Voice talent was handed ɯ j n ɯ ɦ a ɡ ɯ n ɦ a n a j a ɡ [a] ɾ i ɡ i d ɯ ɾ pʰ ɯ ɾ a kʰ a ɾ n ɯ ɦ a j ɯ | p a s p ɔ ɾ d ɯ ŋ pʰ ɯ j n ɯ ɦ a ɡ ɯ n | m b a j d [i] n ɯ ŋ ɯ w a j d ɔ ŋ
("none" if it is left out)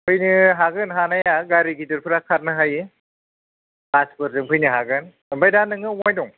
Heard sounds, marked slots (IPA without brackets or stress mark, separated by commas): a, a